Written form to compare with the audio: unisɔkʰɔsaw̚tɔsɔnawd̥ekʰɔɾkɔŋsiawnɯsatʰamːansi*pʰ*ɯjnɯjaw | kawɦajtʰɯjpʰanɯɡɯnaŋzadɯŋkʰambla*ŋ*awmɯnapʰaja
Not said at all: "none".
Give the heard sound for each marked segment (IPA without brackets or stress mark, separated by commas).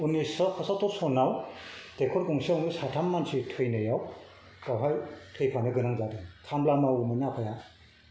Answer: tʰ, m